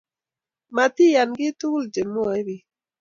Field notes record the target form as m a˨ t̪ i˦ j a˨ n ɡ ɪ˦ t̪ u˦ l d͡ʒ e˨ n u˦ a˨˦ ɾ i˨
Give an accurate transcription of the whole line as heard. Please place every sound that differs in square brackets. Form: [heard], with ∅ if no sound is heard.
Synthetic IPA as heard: m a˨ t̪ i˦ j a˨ n ɡ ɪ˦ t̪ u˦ l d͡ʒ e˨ [m] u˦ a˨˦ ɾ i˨